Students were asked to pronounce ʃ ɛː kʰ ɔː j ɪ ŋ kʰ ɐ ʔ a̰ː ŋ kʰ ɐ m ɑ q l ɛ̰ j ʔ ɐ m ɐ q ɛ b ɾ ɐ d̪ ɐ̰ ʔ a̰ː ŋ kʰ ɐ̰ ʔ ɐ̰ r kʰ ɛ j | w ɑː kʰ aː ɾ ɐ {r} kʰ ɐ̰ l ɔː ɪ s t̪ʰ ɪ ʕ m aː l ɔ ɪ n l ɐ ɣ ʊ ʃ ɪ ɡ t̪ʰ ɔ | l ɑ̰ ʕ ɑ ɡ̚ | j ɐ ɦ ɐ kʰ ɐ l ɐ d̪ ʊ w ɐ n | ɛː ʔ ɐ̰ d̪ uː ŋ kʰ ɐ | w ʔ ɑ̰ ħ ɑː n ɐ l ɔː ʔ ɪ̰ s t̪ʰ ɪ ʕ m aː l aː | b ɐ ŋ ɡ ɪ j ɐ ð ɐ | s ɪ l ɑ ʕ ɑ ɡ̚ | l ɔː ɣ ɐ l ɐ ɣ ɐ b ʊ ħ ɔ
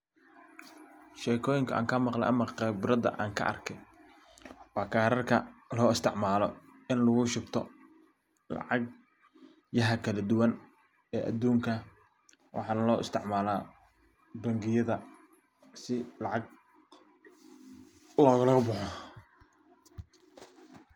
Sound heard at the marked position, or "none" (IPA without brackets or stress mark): r